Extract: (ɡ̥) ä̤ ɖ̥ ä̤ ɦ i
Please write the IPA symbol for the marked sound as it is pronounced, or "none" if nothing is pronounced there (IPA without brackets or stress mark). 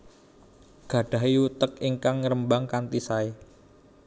ɡ̥